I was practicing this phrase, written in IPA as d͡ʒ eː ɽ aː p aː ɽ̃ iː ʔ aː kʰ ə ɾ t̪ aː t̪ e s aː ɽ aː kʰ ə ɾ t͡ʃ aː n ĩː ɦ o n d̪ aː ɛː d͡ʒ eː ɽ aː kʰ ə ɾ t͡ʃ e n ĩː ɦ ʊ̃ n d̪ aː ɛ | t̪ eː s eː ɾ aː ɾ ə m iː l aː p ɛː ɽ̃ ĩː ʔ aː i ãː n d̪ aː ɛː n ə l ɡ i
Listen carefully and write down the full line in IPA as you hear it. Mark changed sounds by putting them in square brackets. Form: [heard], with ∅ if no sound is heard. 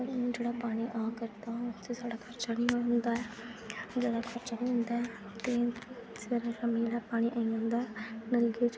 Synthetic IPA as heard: d͡ʒ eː ɽ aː p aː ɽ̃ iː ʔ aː [k] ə ɾ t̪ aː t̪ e s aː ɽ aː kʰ ə ɾ t͡ʃ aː n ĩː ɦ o n d̪ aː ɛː d͡ʒ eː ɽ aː kʰ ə ɾ t͡ʃ [a] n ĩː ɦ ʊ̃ n d̪ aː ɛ | t̪ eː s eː ɾ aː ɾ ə m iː l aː p [aː] ɽ̃ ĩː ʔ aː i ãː n d̪ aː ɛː n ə l ɡ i